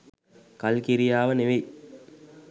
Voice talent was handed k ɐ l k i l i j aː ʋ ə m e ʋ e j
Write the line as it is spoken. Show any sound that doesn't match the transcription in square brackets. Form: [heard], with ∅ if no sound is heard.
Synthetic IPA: k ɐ l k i [ɾ] i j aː ʋ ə [n] e ʋ e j